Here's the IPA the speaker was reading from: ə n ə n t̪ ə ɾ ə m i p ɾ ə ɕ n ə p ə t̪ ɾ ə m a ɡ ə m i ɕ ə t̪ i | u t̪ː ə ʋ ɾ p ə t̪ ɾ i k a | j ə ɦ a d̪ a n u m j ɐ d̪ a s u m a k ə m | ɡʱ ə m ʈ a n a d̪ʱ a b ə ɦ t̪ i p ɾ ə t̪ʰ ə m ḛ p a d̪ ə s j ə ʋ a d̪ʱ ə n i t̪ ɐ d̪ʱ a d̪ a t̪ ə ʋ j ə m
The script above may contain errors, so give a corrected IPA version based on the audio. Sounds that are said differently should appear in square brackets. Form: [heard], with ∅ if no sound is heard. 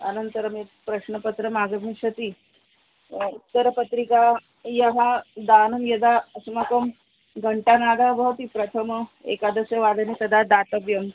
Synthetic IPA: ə n ə n t̪ ə ɾ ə m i p ɾ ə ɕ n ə p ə t̪ ɾ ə m a ɡ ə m i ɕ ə t̪ i | u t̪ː ə [∅] ɾ p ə t̪ ɾ i k a | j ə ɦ a d̪ a n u m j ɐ d̪ a s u m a k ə m | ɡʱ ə [ɳ] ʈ a n a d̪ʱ a b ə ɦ t̪ i p ɾ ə t̪ʰ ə m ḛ [k] a d̪ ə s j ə ʋ a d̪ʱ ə n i t̪ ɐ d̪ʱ a d̪ a t̪ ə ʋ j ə m